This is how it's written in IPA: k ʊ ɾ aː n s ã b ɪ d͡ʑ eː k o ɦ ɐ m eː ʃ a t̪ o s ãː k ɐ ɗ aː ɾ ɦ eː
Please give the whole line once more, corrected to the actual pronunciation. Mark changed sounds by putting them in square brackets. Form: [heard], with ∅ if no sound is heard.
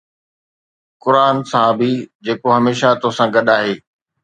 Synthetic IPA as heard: k ʊ ɾ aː n s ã b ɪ d͡ʑ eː k o ɦ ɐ m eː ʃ a t̪ o s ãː [ɡ] ɐ ɗ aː [∅] ɦ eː